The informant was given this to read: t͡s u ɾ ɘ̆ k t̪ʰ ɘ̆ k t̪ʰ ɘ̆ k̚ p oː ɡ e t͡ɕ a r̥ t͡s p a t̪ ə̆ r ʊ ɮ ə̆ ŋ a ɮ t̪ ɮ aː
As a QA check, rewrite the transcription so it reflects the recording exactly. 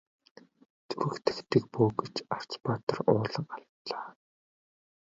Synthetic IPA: t͡s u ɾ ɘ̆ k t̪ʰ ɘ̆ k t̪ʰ ɘ̆ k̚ p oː ɡ e t͡ɕ a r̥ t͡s p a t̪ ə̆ r ʊː ɮ ə̆ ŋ a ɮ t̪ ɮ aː